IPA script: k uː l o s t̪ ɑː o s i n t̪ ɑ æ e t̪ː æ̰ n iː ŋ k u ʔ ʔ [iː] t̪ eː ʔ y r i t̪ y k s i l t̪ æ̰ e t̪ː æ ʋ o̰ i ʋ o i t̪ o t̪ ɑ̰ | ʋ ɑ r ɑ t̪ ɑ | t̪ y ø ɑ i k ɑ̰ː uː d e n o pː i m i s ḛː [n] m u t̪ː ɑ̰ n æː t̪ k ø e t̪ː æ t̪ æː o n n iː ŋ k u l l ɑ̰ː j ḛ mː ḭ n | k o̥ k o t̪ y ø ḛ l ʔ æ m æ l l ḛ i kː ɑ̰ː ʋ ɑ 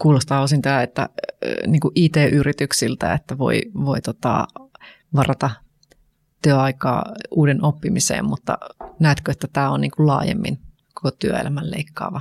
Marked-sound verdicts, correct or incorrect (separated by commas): correct, incorrect